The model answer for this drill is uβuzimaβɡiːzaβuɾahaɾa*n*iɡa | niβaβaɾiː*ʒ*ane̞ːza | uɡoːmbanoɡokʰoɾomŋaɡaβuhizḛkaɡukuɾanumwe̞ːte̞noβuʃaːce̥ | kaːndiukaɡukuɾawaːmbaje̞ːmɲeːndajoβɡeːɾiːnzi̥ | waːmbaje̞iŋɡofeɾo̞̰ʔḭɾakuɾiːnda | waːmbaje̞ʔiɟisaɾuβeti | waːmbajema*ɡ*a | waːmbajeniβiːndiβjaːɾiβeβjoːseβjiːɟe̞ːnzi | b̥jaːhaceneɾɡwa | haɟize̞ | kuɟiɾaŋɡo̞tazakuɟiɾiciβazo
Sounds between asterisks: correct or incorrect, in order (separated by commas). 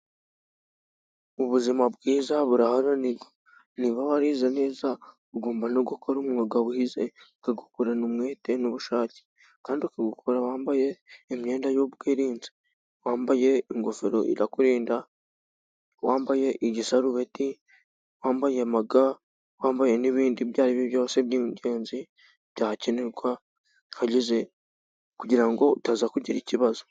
correct, incorrect, correct